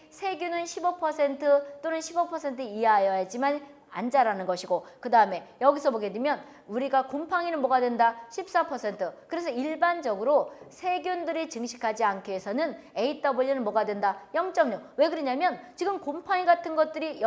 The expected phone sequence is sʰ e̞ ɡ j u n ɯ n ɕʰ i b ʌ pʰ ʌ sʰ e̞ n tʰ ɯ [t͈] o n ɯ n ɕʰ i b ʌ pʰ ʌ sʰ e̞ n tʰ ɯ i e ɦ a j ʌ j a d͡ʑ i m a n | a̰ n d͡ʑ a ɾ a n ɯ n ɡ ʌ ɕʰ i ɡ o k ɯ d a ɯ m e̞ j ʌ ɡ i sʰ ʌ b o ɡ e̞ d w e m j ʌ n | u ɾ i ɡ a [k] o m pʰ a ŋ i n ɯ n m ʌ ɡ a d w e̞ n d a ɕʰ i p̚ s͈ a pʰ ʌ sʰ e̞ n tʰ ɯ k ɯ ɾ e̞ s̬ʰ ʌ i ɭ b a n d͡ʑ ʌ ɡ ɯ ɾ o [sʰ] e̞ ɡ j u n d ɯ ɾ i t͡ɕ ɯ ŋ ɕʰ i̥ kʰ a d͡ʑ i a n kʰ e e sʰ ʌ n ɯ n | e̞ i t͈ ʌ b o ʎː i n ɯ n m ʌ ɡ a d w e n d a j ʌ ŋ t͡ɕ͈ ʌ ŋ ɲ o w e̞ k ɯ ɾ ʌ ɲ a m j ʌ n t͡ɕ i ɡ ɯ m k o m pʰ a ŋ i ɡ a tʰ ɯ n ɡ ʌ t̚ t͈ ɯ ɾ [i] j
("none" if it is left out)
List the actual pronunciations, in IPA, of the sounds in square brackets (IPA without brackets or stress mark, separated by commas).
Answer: t͈, k, sʰ, i